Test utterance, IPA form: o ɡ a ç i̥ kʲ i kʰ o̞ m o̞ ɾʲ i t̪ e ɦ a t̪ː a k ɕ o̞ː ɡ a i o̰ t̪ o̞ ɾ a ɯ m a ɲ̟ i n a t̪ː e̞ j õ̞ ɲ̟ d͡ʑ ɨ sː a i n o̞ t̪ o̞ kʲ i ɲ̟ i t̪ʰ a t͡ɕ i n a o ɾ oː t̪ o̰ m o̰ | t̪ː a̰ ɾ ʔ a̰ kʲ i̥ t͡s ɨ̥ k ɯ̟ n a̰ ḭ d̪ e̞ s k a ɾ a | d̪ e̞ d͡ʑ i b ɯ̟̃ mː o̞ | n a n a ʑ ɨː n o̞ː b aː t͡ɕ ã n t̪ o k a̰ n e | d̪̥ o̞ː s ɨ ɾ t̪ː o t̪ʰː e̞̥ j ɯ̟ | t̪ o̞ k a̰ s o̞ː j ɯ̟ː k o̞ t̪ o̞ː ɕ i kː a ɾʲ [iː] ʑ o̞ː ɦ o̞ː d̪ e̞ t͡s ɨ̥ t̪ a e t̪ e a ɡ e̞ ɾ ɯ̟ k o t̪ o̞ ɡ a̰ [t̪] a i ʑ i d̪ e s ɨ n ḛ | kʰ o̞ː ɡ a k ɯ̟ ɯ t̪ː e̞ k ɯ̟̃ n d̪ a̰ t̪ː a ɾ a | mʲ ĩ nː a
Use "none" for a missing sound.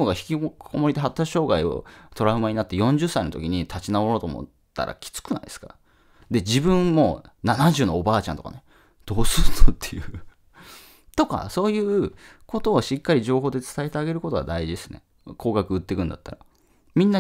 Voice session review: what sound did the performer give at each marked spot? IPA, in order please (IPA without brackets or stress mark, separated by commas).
i, d̪